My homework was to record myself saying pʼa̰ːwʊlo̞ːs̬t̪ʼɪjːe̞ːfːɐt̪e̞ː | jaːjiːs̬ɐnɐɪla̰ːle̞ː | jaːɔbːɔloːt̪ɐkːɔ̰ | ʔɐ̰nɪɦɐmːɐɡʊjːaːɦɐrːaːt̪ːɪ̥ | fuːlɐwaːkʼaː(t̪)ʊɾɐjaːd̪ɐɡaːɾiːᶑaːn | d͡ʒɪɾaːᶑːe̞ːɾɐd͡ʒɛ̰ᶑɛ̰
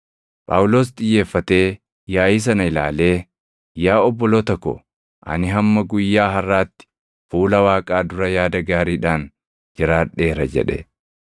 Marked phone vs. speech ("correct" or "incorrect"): incorrect